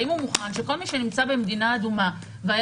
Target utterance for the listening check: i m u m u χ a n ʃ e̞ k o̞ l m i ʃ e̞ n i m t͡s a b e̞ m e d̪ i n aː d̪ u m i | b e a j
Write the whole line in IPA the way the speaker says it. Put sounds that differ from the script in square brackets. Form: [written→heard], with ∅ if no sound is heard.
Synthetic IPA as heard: i m u m u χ a n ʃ e̞ k o̞ l m i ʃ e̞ n i m t͡s a b e̞ m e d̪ i n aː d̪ u m [i→a] | [b→v] e a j